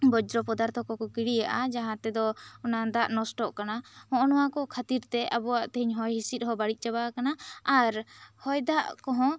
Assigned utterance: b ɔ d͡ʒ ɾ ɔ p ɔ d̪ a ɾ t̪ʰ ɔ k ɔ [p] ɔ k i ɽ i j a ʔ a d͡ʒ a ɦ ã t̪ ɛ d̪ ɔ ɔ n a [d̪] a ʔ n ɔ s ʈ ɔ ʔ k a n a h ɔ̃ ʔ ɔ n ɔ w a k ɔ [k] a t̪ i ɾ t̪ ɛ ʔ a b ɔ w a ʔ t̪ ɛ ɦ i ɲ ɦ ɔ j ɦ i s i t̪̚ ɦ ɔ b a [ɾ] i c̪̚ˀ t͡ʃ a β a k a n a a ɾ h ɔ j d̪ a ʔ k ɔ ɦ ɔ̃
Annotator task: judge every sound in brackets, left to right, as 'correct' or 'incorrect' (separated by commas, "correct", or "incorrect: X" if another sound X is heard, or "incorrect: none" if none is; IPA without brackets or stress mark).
incorrect: k, correct, incorrect: kʰ, incorrect: ɽ